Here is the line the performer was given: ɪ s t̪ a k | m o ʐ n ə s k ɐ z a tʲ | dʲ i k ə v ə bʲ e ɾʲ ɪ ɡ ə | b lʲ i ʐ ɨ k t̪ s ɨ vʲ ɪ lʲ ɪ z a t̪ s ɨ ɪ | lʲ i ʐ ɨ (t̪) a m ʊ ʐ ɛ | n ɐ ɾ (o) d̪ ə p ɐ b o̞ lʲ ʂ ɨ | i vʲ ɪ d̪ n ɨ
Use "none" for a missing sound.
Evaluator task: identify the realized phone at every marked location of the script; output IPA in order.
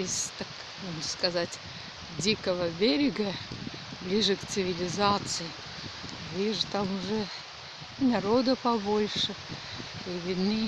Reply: t̪, o

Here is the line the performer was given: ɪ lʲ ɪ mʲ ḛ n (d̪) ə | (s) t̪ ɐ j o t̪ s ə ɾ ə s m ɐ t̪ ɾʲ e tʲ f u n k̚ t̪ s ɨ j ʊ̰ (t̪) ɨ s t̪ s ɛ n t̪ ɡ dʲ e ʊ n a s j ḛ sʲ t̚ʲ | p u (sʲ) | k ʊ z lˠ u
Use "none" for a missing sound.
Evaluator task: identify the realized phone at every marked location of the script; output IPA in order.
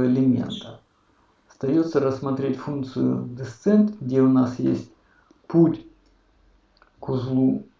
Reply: t̪, s, d̪, tʲ

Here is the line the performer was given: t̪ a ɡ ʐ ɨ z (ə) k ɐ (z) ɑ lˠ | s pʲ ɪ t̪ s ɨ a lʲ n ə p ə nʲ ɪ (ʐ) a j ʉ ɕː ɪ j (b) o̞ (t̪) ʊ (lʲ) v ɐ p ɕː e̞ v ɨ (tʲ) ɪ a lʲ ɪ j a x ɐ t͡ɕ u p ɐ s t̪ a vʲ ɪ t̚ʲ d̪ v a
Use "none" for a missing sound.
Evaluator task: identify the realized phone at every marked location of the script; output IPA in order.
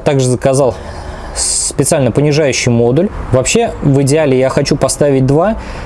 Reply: ə, z, ʐ, m, d̪, lʲ, dʲ

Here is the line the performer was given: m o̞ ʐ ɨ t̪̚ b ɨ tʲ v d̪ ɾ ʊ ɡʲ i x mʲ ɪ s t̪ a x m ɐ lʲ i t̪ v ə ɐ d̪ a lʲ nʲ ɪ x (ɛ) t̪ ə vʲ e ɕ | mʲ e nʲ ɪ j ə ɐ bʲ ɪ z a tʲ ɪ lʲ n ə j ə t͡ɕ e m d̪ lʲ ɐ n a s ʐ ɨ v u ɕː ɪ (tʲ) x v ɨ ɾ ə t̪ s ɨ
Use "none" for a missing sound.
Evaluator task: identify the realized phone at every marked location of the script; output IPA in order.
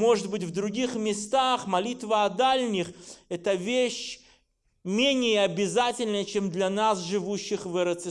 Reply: ɛ, none

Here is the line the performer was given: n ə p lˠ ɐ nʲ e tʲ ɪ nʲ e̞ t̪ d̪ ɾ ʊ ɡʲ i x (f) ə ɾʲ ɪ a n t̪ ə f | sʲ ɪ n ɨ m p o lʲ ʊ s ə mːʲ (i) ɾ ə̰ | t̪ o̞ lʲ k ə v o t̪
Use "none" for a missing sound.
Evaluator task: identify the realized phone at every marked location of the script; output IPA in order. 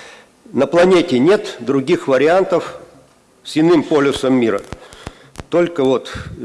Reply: v, i

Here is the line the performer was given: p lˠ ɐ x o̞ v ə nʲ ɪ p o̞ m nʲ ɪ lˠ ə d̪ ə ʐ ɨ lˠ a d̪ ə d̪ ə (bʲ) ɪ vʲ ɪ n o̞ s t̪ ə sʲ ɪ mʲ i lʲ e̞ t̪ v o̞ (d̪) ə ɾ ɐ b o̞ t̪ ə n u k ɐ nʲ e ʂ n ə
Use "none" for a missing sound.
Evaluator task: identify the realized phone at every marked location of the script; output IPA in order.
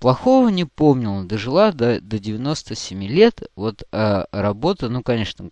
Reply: dʲ, t̪

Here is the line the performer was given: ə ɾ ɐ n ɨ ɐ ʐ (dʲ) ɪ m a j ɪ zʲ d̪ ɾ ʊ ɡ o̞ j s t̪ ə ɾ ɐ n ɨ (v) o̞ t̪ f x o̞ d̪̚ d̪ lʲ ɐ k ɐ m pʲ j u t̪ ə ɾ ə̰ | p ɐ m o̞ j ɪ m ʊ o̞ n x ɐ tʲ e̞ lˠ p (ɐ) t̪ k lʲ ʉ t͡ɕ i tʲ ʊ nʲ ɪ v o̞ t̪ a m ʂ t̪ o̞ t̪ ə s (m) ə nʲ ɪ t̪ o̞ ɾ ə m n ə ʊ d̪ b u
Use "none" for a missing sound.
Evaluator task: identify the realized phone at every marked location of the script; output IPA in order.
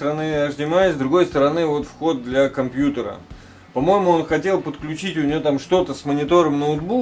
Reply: dʲ, v, ə, m

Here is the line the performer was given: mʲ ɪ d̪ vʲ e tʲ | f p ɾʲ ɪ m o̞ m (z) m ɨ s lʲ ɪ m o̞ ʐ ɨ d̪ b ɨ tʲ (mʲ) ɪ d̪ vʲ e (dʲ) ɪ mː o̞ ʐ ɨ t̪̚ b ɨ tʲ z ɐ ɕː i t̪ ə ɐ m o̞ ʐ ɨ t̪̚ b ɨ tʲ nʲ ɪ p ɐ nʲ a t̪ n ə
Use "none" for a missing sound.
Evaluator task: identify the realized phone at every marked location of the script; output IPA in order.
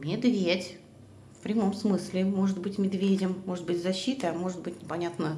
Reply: s, mʲ, dʲ

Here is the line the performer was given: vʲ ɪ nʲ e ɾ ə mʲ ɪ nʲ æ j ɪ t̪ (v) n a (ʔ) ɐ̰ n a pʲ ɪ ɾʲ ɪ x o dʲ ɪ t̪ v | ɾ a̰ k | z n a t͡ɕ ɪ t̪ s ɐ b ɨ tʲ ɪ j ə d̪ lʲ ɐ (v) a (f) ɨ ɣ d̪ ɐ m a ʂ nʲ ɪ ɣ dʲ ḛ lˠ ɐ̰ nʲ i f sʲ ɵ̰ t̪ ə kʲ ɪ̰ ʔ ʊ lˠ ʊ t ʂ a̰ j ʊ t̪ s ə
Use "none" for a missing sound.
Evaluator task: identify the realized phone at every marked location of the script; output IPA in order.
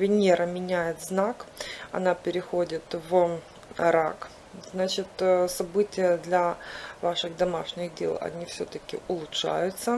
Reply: z, k, v, ʂ

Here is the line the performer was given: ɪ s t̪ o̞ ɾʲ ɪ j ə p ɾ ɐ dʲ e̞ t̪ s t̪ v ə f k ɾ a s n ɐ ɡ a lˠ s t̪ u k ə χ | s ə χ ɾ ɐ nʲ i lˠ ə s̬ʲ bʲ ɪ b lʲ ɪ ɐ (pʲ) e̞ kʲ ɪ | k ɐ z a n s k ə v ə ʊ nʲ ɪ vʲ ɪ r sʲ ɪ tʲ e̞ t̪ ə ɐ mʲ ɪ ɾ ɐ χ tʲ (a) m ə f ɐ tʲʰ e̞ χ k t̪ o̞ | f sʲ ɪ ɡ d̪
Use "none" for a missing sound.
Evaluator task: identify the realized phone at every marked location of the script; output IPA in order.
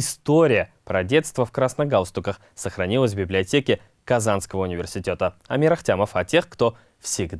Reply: tʲ, a

